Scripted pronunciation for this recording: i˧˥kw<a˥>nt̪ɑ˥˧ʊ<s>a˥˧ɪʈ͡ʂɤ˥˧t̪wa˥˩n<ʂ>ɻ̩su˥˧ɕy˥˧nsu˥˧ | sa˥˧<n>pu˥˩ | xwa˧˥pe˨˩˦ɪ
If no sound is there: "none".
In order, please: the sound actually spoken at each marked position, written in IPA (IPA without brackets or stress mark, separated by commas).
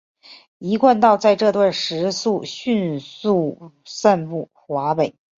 a˥˧, t͡s, ʂ, n